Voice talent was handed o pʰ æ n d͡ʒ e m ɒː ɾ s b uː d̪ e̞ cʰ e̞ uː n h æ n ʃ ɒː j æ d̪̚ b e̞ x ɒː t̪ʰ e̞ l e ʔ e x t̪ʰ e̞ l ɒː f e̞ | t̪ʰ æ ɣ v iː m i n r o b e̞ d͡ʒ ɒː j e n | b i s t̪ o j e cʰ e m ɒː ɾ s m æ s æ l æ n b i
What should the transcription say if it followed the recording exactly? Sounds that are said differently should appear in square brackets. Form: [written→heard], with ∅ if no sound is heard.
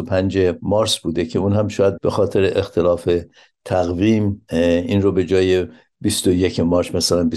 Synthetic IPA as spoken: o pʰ æ n d͡ʒ e m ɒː ɾ s b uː d̪ e̞ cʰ e̞ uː n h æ [n→m] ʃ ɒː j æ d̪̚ b e̞ x ɒː t̪ʰ e̞ [l→ɾ] e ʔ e x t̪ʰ e̞ l ɒː f e̞ | t̪ʰ æ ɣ v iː m i n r o b e̞ d͡ʒ ɒː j e [n→∅] | b i s t̪ o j e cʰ e m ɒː ɾ s m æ s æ l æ n b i